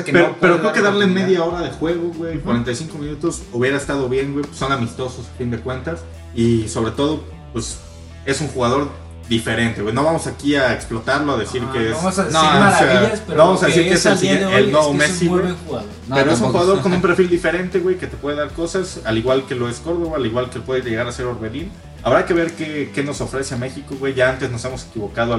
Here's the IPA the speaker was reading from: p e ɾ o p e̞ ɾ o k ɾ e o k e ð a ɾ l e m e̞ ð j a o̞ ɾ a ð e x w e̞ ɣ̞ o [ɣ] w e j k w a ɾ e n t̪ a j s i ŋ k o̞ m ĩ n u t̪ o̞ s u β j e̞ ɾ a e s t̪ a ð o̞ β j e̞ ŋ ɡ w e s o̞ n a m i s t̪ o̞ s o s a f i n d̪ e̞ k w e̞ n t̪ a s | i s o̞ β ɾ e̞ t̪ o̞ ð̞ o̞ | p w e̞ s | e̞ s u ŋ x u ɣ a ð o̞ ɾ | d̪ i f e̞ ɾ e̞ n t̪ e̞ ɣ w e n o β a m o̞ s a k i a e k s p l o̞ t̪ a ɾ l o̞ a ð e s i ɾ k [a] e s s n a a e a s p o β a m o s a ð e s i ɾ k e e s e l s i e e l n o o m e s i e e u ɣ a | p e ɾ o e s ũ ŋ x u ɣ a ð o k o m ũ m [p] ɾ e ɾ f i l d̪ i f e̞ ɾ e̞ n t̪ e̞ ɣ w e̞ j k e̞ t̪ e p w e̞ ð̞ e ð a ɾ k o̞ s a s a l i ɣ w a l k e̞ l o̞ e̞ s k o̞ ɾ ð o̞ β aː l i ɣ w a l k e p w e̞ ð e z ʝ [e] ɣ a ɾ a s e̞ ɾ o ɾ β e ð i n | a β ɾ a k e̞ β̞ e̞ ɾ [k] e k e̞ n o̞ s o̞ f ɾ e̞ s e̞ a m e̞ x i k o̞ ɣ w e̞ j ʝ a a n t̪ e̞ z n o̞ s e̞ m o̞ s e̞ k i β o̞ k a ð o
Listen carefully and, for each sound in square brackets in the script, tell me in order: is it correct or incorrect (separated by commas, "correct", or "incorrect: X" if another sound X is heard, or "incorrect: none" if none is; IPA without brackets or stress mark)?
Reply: correct, incorrect: e, correct, correct, correct